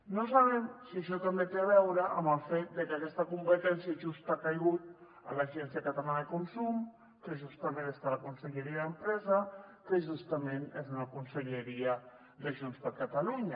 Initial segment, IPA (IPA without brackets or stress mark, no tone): n